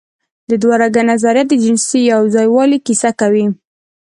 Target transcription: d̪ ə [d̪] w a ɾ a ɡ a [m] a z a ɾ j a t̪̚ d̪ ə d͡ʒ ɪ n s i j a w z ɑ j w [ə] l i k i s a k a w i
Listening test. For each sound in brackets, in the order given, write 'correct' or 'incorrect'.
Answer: correct, incorrect: n, incorrect: ɑ

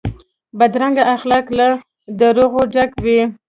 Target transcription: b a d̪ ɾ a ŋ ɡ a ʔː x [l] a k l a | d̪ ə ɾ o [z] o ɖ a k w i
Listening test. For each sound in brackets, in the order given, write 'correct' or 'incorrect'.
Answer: correct, incorrect: ɣ

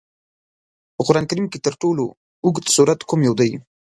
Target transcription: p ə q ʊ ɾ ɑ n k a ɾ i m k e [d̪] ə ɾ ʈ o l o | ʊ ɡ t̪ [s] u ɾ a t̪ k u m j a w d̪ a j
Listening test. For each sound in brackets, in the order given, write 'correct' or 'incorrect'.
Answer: incorrect: t̪, correct

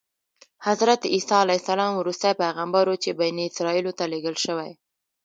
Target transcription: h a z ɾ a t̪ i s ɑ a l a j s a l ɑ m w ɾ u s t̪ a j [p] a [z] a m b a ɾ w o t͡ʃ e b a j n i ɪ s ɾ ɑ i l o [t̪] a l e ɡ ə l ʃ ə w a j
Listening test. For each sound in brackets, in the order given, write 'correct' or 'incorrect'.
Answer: correct, incorrect: ɣ, correct

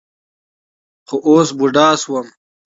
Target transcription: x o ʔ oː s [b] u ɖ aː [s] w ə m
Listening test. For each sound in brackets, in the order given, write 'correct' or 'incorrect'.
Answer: correct, correct

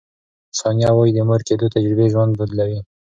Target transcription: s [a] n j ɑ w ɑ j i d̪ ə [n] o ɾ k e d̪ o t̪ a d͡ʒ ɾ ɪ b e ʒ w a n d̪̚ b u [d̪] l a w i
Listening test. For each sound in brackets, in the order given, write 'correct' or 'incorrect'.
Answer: incorrect: ɑ, incorrect: m, correct

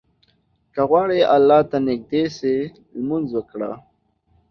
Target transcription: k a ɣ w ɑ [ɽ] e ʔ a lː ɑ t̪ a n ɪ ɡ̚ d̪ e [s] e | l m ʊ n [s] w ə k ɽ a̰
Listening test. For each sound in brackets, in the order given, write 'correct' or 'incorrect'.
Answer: correct, correct, incorrect: z

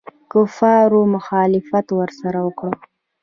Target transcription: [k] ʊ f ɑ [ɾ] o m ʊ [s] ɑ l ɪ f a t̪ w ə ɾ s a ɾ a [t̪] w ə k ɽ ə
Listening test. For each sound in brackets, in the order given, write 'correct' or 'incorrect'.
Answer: correct, correct, incorrect: x, incorrect: none

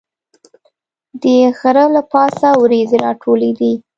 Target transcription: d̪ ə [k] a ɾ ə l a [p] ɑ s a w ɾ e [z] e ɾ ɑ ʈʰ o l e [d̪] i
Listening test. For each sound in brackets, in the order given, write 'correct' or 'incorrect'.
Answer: incorrect: x, correct, correct, correct

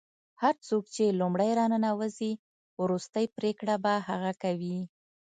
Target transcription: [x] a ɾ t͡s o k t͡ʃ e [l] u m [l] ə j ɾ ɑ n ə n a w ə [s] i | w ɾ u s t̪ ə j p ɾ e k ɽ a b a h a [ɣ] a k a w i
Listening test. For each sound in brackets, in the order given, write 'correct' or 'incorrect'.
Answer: incorrect: h, correct, incorrect: ɽ, incorrect: z, correct

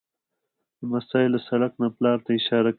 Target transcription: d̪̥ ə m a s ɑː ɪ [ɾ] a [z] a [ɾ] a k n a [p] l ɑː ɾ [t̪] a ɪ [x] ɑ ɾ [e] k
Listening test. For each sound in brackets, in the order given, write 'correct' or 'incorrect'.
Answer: incorrect: l, incorrect: s, incorrect: ɽ, correct, correct, incorrect: ʃ, incorrect: a

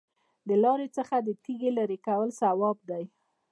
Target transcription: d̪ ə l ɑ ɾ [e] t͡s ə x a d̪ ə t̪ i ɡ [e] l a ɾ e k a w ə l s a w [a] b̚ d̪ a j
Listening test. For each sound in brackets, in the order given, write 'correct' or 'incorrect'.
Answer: correct, correct, incorrect: ɑ

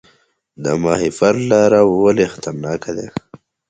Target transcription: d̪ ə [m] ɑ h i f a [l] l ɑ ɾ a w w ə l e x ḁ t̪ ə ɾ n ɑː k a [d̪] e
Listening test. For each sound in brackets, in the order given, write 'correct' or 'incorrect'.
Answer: correct, incorrect: ɾ, correct

